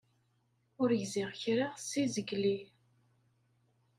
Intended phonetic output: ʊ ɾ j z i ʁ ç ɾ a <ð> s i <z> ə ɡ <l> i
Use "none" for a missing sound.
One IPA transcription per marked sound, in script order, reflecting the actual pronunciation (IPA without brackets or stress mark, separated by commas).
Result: ʁ, z, l